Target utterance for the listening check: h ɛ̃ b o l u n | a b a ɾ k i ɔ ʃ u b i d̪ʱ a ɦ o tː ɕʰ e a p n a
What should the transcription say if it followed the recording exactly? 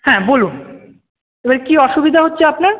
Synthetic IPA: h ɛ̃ b o l u n | e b a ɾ k i ɔ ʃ u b i d̪ʱ a ɦ o tː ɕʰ e a p n a